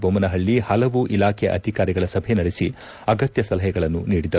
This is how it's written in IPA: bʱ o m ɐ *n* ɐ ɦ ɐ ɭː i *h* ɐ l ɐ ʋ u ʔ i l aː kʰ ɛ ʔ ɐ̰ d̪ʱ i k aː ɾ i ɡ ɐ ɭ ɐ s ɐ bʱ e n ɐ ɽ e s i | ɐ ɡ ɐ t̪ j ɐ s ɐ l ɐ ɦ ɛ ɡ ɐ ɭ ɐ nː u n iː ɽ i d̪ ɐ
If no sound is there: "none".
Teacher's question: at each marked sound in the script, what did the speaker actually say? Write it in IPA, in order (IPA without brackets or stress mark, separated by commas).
n, h